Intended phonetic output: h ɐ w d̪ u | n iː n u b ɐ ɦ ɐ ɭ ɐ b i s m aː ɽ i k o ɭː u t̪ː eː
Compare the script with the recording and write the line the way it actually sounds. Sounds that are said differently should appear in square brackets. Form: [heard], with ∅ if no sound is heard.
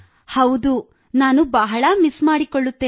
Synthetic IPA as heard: h ɐ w d̪ u | n [aː] n u b ɐ ɦ ɐ ɭ ɐ [m] i s m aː ɽ i k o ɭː u t̪ː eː